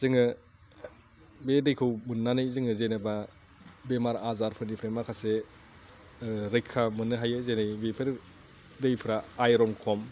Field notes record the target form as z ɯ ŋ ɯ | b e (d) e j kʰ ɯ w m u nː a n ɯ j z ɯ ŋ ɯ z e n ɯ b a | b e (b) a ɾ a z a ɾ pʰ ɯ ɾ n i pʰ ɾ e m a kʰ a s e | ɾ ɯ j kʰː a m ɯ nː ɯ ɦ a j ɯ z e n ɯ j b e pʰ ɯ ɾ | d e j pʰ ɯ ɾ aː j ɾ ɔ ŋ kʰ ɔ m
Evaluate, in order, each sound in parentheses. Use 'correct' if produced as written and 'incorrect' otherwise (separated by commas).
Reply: correct, incorrect